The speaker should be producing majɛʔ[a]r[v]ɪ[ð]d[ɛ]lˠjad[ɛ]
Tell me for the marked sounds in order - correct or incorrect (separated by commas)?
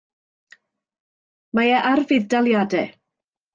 correct, correct, correct, incorrect, correct